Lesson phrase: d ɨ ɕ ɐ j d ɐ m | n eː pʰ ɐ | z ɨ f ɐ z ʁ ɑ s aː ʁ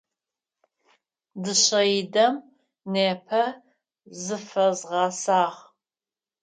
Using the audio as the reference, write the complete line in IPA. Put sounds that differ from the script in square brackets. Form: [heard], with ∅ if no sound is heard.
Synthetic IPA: d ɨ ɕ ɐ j d ɐ m | n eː pʰ ɐ | z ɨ f ɐ z ʁ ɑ s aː ʁ